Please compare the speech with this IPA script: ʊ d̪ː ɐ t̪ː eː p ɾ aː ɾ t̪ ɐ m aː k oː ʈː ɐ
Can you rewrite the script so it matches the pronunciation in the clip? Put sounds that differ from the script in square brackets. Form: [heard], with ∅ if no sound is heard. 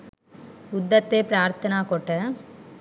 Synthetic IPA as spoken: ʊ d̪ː ɐ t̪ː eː p ɾ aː ɾ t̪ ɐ [n] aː k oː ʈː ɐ